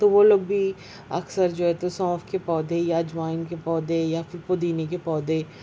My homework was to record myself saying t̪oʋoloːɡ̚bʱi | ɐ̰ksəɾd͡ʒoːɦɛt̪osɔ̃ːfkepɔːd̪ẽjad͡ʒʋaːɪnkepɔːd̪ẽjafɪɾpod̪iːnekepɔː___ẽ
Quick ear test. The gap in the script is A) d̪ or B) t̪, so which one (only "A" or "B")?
A